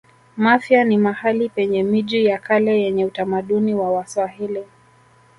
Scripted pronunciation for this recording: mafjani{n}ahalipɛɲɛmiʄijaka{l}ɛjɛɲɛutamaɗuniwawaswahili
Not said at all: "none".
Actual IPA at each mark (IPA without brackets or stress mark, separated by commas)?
m, l